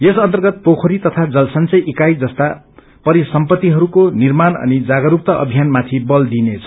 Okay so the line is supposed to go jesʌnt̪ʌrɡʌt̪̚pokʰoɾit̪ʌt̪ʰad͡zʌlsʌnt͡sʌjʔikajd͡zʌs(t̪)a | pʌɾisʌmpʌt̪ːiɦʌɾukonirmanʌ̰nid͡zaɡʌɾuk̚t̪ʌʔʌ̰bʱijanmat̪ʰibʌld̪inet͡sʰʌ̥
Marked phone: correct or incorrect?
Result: correct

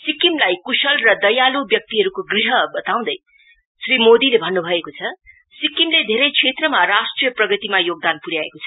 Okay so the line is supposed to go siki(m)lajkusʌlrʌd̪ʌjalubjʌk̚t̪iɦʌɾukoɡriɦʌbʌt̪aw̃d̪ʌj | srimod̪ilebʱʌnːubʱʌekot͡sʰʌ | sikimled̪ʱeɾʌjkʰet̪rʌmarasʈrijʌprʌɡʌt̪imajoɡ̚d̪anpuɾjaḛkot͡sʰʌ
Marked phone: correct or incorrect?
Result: correct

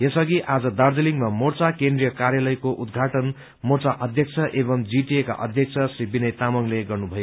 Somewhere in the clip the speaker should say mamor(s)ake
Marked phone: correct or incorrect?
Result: incorrect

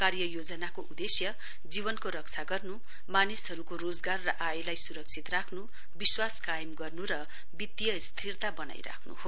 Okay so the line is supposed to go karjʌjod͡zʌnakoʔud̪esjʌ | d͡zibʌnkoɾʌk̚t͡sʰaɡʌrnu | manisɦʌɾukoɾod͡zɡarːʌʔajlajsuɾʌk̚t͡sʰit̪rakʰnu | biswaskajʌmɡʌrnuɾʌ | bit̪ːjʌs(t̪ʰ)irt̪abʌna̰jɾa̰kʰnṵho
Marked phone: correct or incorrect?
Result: correct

